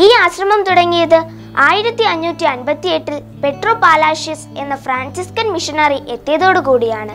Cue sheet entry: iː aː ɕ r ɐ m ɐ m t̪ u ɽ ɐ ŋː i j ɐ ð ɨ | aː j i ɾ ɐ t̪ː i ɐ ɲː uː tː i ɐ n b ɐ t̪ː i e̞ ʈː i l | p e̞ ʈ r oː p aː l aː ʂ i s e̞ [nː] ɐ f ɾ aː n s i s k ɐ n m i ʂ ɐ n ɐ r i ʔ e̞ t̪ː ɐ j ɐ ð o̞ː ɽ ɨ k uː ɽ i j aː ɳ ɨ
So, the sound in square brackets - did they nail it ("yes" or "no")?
yes